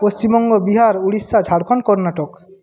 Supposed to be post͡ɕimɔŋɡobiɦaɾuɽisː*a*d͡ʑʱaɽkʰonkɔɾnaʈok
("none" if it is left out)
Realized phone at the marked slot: a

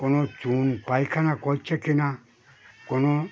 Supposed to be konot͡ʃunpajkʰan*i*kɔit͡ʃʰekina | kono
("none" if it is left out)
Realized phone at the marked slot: a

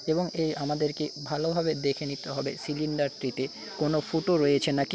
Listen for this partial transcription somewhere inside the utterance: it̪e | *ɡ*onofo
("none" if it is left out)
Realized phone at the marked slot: k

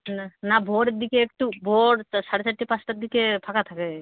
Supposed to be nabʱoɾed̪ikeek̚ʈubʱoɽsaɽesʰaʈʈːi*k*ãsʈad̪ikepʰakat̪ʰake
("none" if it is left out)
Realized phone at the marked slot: p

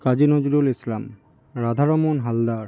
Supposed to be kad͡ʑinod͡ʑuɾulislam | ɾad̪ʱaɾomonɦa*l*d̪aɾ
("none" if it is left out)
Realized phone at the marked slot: l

